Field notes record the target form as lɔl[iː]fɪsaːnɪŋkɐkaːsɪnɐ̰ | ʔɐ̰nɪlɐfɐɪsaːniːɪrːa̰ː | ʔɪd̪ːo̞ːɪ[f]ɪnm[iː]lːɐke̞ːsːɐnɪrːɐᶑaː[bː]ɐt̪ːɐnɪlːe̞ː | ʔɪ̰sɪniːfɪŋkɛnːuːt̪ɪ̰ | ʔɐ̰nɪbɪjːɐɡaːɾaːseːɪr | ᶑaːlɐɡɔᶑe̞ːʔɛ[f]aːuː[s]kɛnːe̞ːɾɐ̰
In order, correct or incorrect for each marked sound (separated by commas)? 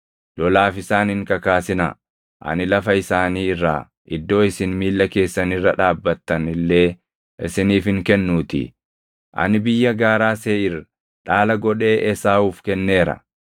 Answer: incorrect, incorrect, correct, correct, incorrect, incorrect